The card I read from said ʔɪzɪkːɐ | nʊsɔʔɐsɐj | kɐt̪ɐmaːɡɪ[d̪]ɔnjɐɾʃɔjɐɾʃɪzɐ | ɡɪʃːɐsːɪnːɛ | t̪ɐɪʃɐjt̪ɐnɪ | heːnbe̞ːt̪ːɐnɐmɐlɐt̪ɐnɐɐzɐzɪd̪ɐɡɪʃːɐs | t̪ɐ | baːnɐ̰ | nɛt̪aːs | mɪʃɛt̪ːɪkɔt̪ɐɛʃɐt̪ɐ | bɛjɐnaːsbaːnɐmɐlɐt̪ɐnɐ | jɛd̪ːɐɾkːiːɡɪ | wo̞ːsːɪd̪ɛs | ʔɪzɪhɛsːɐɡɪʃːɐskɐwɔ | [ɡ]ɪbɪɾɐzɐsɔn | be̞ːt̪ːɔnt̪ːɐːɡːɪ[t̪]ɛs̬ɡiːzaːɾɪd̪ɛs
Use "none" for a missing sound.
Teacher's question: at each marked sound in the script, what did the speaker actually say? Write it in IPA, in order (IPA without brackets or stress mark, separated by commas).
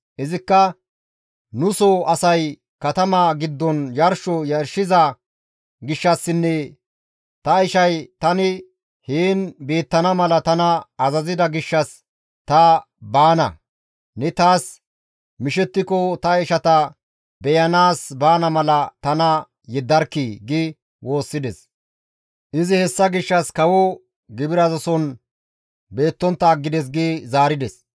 d̪ː, ɡ, d̪